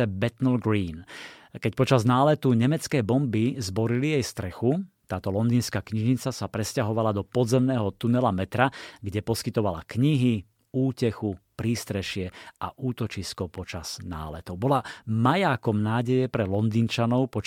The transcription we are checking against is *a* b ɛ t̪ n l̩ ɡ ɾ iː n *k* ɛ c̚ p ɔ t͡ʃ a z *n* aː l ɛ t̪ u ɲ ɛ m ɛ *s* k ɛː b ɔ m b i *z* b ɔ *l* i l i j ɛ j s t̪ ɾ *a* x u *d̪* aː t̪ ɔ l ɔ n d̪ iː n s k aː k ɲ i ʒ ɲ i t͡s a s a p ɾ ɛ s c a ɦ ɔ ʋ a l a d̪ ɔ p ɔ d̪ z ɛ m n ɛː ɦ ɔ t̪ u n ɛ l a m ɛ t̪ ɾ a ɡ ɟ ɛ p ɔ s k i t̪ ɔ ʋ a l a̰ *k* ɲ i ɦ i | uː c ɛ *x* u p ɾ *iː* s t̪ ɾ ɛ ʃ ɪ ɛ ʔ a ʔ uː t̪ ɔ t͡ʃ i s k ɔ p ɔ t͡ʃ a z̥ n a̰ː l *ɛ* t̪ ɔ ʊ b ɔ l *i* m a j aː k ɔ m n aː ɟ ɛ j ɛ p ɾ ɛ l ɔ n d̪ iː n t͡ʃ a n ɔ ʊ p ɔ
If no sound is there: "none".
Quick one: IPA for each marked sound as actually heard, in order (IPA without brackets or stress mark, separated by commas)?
ɛ, k, n, t͡s, z, ɾ, ɛ, t̪, k, x, iː, ɛ, a